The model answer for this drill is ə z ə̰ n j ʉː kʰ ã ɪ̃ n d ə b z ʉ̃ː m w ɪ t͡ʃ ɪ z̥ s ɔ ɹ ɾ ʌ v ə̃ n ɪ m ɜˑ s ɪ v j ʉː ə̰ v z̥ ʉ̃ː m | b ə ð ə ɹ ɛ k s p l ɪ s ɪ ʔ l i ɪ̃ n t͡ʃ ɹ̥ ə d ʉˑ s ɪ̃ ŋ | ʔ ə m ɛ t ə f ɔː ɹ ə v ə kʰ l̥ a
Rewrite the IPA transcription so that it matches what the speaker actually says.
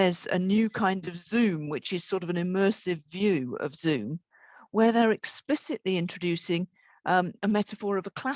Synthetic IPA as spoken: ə z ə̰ n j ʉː kʰ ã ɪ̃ n d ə v z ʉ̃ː m w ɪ t͡ʃ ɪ z̥ s ɔ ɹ ɾ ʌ v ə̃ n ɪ m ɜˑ s ɪ v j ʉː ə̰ v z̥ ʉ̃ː m | w ə ð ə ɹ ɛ k s p l ɪ s ɪ ʔ l i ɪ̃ n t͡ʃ ɹ̥ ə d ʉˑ s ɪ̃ ŋ | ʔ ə m ɛ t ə f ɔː ɹ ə v ə kʰ l̥ a